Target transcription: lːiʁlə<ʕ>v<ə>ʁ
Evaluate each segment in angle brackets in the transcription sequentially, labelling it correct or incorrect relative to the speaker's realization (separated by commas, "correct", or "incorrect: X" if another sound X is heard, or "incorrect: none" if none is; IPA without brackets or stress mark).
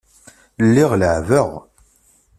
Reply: correct, correct